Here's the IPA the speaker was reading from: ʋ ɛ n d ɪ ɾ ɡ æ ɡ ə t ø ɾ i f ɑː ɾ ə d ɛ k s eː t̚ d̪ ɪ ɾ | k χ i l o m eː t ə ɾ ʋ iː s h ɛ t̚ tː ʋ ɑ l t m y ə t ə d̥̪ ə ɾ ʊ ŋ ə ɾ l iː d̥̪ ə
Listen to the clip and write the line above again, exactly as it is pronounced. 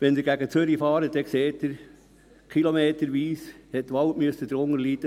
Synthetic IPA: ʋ ɛ n d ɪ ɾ ɡ æ ɡ ə t͡s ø ɾ i f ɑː ɾ ə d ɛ k s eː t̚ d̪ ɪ ɾ | k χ i l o m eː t ə ɾ ʋ iː s h ɛ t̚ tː ʋ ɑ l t m y ə s ə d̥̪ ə ɾ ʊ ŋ ə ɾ l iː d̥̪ ə